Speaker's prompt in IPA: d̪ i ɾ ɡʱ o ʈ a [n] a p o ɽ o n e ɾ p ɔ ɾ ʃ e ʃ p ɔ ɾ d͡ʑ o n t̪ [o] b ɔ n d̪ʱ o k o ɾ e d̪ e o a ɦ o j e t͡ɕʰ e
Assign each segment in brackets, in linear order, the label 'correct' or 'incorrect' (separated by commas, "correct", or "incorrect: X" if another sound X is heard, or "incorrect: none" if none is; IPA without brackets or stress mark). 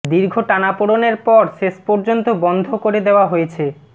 correct, correct